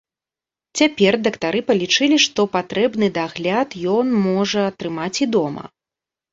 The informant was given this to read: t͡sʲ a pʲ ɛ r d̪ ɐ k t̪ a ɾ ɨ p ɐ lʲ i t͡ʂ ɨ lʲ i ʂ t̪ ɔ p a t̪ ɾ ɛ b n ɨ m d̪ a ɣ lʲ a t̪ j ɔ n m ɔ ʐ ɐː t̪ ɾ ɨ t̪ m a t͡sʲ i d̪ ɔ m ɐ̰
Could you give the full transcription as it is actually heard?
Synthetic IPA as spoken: t͡sʲ a pʲ ɛ r d̪ ɐ k t̪ a ɾ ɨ p ɐ lʲ i t͡ʂ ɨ lʲ i ʂ t̪ ɔ p a t̪ ɾ ɛ b n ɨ d̪ a ɣ lʲ a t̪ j ɔ n m ɔ ʐ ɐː t̪ ɾ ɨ m a t͡sʲ i d̪ ɔ m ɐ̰